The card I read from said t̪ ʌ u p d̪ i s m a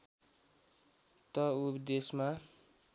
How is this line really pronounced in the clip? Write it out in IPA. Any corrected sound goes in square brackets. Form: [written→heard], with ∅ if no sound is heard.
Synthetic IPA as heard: t̪ ʌ u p d̪ [i→e] s m a